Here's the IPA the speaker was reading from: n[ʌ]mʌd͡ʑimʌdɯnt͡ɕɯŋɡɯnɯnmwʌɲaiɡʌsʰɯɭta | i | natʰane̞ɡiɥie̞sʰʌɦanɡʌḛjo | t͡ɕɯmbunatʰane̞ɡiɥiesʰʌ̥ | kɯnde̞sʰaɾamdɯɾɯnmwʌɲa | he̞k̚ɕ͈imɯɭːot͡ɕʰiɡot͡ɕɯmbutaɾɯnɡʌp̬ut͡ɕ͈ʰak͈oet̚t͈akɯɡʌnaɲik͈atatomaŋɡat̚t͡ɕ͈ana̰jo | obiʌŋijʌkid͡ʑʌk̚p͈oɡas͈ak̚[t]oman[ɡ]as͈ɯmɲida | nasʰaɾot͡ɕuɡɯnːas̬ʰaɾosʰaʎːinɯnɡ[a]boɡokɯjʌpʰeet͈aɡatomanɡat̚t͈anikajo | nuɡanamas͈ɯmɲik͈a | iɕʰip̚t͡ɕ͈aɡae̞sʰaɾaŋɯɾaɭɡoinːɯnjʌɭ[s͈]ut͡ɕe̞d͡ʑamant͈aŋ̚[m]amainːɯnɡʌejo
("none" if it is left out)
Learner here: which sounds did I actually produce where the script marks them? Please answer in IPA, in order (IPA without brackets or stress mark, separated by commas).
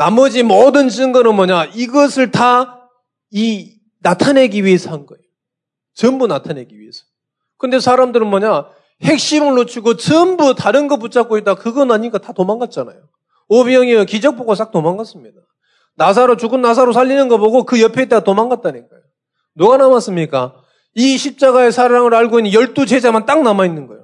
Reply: a, t, ɡ, ʌ, t͈, n